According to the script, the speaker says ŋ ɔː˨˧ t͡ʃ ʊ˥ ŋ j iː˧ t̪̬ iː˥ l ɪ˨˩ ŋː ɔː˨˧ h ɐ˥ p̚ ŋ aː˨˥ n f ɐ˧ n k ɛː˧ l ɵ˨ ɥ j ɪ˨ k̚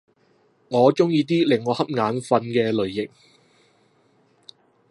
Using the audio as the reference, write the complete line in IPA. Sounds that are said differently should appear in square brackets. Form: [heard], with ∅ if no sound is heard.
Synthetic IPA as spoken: ŋ ɔː˨˧ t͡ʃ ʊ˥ ŋ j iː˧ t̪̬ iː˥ l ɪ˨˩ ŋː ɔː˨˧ h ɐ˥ p̚ ŋ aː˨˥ n f ɐ˧ n k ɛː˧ l ɵ˨ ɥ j ɪ˨ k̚